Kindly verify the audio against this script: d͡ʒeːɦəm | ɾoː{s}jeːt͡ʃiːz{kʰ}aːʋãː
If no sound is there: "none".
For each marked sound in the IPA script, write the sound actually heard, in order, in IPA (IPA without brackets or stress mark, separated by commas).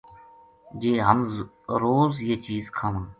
z, kʰ